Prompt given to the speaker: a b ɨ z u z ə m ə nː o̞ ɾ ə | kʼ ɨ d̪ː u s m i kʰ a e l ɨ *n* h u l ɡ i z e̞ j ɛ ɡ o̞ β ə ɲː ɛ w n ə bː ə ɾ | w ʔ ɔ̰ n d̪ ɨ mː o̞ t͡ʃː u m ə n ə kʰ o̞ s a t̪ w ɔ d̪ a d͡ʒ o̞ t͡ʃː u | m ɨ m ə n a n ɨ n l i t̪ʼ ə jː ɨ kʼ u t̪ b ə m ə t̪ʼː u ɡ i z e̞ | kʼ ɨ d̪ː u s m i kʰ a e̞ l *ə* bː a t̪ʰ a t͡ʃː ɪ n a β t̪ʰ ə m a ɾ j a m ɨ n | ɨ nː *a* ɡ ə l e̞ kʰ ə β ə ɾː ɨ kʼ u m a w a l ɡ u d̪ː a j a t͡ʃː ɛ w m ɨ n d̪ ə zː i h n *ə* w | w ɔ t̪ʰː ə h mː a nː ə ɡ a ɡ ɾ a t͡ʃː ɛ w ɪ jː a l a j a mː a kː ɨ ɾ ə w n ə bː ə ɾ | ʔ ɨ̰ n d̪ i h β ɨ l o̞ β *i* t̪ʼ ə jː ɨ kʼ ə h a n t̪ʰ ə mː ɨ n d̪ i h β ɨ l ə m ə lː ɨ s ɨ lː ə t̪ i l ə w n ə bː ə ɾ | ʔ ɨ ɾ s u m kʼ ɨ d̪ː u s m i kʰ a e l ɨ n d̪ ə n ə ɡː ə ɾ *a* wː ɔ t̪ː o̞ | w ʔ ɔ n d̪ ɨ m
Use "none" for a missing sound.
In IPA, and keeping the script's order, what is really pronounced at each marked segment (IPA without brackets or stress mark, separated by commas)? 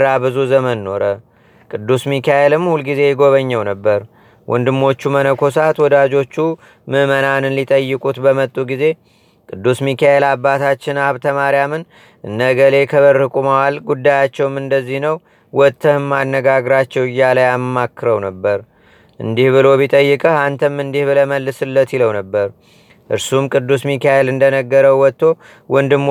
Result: m, a, ə, ə, i, ə